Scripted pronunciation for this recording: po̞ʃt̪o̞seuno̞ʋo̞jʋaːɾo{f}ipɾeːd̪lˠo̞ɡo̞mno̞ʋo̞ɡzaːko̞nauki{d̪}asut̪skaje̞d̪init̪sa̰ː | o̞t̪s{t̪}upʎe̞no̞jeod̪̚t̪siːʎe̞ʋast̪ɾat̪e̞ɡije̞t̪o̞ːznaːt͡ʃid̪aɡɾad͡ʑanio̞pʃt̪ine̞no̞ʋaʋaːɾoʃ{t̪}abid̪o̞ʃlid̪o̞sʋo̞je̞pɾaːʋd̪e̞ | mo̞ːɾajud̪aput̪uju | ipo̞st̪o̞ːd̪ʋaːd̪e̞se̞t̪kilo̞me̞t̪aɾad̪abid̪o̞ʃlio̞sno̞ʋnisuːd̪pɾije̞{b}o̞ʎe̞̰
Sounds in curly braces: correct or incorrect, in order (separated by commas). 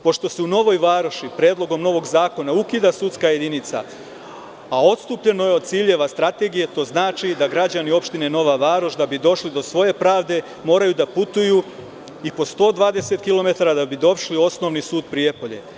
incorrect, correct, correct, incorrect, incorrect